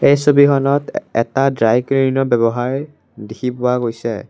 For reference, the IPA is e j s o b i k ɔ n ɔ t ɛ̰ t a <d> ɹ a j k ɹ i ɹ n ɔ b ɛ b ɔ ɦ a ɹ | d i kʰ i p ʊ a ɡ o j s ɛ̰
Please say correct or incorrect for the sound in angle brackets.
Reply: correct